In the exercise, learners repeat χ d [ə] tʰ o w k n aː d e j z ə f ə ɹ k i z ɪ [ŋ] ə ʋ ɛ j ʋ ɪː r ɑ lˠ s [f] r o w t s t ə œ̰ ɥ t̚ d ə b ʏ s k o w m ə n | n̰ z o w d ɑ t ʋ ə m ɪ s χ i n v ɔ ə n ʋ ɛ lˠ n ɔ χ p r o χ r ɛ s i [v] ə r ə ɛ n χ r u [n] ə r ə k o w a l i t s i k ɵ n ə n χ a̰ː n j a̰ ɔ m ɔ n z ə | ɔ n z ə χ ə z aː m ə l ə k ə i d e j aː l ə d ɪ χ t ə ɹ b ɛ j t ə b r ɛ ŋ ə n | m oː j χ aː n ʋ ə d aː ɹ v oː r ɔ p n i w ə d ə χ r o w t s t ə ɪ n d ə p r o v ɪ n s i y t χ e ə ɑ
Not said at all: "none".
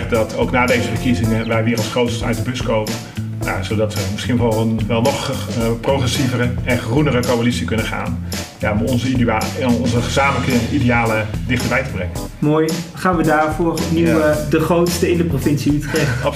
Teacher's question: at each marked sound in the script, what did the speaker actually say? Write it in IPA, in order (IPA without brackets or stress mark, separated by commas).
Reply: ɑ, ŋ, χ, v, n